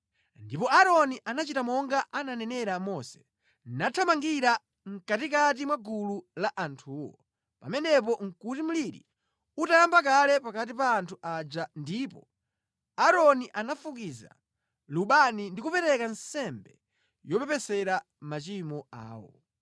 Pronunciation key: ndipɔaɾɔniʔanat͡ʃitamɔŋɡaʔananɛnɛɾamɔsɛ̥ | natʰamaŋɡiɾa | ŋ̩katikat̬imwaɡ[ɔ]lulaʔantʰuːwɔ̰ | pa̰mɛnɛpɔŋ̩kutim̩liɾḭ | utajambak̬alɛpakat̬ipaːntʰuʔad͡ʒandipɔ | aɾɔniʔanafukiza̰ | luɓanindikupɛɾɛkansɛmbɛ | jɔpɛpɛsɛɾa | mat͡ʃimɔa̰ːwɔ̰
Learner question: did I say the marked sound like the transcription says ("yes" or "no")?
no